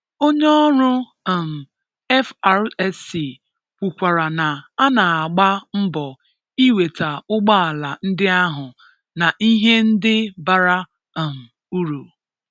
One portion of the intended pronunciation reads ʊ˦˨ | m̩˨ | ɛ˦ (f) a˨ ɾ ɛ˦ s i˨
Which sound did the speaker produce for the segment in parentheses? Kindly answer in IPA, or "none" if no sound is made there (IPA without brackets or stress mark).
f